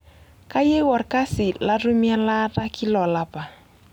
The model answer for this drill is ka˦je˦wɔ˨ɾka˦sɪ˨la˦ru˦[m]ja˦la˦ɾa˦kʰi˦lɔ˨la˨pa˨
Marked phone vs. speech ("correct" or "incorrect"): correct